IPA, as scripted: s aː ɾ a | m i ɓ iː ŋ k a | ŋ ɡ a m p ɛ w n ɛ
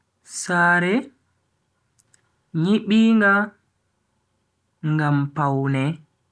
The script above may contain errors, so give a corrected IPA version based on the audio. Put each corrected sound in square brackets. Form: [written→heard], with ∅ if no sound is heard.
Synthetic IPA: s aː ɾ [a→ɛ] | [m→ɲ] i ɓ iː ŋ [k→ɡ] a | ŋ ɡ a m p [ɛ→a] w n ɛ